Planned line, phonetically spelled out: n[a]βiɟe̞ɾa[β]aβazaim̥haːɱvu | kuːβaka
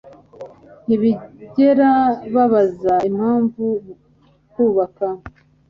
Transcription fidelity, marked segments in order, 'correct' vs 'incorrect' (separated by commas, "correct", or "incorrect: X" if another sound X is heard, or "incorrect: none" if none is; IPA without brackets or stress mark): incorrect: i, correct